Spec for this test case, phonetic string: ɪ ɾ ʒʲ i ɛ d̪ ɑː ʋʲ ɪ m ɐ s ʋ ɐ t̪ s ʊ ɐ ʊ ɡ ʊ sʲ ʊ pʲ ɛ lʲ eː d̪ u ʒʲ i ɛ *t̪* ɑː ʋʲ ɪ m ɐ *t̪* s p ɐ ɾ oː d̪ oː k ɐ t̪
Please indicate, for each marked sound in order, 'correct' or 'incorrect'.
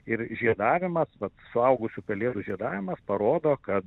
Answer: incorrect: d̪, incorrect: none

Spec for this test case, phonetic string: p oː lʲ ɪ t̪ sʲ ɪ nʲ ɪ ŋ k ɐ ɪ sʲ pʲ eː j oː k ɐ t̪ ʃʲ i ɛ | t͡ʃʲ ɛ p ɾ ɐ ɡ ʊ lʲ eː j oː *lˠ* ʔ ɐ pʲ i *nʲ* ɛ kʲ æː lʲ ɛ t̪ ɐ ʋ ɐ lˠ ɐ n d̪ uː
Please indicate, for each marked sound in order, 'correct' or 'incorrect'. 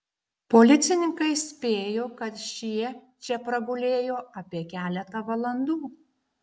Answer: incorrect: none, incorrect: none

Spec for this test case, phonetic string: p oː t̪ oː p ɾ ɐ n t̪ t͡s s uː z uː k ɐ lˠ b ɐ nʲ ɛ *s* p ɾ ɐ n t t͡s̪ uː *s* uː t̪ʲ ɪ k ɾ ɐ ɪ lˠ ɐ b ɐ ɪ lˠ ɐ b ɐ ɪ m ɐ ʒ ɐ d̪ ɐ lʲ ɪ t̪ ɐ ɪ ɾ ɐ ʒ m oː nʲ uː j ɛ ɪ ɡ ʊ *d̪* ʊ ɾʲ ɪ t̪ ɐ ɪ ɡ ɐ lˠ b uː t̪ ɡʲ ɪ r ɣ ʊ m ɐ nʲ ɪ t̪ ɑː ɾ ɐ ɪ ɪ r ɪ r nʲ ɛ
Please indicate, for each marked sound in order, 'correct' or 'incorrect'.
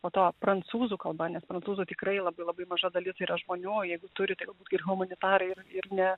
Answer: correct, incorrect: z, incorrect: t̪

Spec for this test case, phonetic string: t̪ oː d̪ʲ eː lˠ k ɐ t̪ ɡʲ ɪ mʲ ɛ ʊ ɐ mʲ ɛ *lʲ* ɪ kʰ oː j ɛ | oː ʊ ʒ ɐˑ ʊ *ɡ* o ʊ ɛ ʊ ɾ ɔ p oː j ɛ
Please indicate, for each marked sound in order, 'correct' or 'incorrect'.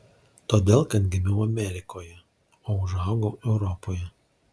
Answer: incorrect: ɾʲ, correct

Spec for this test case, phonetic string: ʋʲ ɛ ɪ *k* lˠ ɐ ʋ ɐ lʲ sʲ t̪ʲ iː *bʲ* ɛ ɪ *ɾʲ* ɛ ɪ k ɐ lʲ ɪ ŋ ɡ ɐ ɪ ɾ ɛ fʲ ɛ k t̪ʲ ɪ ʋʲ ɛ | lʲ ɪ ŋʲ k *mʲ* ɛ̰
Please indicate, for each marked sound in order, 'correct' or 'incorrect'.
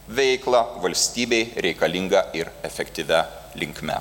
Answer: correct, correct, correct, correct

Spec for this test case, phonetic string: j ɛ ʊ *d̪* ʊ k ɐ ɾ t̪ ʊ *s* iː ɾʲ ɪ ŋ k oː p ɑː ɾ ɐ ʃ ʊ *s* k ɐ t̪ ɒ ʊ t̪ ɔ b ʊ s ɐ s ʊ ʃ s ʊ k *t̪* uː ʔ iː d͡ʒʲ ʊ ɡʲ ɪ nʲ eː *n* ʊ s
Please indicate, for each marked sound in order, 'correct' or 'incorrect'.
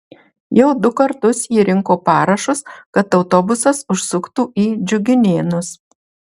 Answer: correct, correct, correct, correct, correct

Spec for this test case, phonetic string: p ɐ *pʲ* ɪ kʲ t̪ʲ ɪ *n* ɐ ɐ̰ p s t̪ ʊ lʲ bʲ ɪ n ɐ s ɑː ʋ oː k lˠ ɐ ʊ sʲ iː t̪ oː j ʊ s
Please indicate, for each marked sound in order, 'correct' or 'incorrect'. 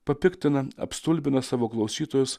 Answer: correct, correct

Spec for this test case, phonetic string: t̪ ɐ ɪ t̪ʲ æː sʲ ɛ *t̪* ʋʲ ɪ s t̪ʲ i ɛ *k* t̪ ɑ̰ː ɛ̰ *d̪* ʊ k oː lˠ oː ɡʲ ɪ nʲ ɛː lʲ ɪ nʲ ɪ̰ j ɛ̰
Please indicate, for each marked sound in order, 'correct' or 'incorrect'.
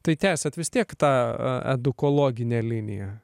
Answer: correct, correct, correct

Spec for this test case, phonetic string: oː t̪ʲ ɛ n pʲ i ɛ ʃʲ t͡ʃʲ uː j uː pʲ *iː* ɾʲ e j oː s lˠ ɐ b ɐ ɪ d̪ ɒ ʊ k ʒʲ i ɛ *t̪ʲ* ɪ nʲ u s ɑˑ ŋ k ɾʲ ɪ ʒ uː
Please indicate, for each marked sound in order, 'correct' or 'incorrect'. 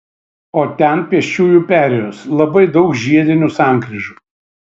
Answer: incorrect: æː, incorrect: d̪ʲ

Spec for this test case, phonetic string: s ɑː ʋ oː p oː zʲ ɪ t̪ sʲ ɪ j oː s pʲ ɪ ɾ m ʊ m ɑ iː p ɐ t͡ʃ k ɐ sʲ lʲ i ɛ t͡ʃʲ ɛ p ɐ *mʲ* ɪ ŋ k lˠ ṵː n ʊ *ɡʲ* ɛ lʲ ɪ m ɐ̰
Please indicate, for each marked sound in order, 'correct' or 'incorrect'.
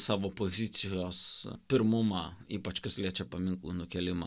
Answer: correct, incorrect: kʲ

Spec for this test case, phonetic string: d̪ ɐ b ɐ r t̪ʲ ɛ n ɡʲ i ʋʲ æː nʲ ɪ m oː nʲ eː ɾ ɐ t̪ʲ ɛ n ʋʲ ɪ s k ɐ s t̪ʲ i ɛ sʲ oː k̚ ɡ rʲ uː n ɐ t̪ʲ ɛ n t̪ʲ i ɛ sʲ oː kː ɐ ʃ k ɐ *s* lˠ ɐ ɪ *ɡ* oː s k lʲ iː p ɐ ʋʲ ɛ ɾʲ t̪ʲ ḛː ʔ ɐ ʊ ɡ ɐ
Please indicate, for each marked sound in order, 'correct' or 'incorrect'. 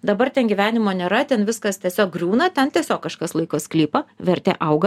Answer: correct, incorrect: k

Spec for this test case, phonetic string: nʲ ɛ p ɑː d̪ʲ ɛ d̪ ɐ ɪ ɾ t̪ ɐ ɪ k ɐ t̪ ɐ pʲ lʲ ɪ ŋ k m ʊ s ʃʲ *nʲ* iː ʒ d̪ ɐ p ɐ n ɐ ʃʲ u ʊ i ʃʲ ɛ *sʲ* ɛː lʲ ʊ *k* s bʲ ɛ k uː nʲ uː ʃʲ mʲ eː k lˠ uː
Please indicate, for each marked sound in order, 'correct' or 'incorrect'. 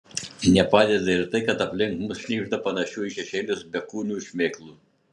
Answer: correct, incorrect: ʃʲ, incorrect: none

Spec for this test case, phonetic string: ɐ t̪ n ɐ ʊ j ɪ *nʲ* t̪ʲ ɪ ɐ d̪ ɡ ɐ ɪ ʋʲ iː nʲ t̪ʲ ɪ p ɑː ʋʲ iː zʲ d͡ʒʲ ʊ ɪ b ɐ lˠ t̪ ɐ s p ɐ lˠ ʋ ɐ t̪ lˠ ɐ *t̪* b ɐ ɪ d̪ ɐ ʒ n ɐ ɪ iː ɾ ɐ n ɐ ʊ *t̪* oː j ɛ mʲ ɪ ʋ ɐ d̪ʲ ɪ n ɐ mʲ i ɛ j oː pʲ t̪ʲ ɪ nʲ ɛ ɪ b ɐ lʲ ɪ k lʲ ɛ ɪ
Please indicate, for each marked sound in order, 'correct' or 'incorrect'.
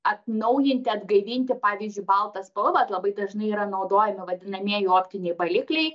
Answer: correct, incorrect: none, incorrect: d̪

